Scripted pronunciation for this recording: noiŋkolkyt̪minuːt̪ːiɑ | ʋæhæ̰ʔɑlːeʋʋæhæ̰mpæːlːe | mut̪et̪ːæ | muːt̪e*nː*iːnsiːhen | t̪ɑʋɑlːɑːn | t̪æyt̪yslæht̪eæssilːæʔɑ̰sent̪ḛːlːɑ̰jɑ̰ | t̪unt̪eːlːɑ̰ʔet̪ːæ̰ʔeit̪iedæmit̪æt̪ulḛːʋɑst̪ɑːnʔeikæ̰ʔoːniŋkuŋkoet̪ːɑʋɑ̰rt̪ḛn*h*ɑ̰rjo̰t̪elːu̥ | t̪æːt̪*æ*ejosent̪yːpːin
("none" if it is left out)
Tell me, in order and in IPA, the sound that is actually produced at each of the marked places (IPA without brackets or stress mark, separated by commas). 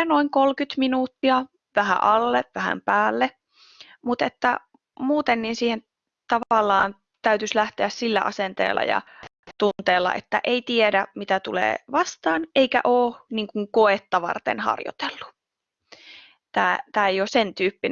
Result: nː, h, æː